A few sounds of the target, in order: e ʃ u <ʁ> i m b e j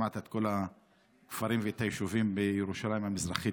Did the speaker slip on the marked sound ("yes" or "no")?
yes